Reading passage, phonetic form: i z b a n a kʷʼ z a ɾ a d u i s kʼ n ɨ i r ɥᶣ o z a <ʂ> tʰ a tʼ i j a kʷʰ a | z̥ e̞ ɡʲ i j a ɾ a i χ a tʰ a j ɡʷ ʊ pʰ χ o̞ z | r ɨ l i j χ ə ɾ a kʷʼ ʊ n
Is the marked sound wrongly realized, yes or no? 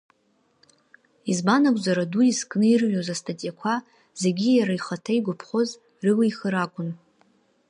yes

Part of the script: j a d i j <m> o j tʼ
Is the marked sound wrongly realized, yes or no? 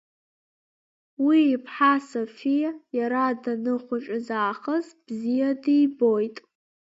yes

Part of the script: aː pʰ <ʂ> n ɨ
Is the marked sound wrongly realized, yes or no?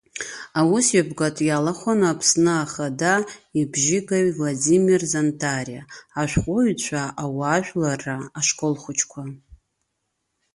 yes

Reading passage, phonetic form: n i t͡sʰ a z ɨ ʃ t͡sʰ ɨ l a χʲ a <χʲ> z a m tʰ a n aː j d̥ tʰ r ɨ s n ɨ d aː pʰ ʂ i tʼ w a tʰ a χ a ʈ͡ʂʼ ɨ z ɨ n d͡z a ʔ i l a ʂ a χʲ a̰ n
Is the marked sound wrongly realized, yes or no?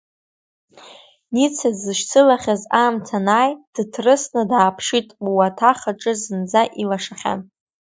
yes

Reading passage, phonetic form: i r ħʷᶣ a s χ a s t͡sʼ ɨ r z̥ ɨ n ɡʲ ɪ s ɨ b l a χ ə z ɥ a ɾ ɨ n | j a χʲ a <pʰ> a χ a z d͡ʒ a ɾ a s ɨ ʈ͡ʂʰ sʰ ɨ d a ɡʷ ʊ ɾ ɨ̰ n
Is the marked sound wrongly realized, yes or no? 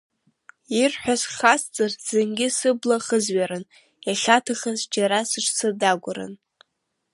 yes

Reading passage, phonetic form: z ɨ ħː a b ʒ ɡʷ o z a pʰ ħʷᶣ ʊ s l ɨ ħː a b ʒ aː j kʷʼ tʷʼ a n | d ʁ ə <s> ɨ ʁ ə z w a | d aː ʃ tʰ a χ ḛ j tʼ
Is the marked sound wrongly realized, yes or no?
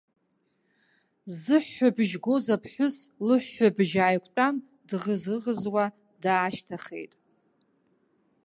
yes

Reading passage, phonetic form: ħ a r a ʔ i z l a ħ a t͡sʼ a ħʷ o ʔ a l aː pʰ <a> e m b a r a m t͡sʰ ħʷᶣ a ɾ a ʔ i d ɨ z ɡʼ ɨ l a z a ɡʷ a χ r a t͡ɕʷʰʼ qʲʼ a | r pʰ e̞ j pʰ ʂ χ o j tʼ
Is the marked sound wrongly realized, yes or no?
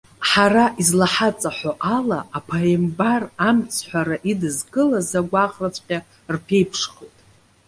no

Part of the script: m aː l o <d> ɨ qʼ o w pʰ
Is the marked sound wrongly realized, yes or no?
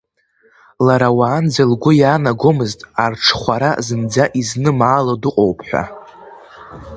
no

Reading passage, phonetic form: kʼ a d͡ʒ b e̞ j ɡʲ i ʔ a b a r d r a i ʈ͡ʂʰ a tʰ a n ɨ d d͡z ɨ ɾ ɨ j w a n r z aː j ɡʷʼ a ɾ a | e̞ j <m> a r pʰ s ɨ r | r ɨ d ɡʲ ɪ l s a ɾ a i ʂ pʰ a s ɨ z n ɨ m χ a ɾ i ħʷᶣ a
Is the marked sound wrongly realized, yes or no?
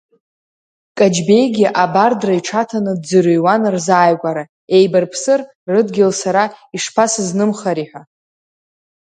yes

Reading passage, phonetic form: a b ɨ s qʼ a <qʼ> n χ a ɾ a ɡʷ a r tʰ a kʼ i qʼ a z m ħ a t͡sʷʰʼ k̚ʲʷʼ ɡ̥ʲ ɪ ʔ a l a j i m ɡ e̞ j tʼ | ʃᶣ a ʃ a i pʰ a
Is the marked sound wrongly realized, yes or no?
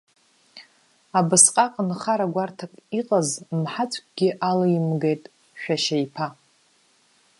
no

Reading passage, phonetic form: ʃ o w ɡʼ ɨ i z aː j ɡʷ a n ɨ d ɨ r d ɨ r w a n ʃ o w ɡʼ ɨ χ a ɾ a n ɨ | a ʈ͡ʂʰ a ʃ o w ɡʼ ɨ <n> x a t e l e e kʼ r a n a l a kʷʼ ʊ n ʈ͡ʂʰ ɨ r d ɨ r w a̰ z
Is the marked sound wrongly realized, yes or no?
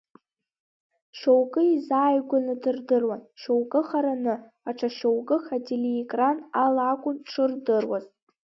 yes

